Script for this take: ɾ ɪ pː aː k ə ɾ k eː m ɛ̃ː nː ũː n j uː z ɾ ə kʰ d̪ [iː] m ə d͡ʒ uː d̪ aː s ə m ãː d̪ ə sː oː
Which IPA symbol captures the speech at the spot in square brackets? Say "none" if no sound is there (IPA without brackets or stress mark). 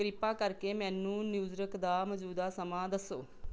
aː